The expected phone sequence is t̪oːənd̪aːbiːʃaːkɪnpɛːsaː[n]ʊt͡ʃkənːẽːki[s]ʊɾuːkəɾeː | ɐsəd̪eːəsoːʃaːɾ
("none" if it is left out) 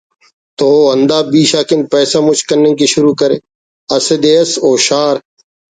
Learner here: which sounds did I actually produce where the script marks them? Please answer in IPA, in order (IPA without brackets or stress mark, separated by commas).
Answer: m, ʃ